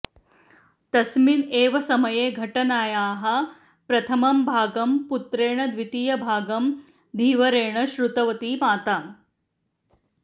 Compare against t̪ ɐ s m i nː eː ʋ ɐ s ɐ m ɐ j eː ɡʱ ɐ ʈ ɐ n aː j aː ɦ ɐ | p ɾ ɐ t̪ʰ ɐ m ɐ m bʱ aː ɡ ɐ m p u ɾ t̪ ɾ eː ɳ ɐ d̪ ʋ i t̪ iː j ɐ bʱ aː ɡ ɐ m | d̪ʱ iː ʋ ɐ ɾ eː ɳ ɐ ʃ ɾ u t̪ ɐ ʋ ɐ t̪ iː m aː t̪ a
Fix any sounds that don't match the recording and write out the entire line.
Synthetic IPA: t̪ ɐ s m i n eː ʋ ɐ s ɐ m ɐ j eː ɡʱ ɐ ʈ ɐ n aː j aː ɦ ɐ | p ɾ ɐ t̪ʰ ɐ m ɐ m bʱ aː ɡ ɐ m p u t̪ ɾ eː ɳ ɐ d̪ ʋ i t̪ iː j ɐ bʱ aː ɡ ɐ m | d̪ʱ iː ʋ ɐ ɾ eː ɳ ɐ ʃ ɾ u t̪ ɐ ʋ ɐ t̪ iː m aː t̪ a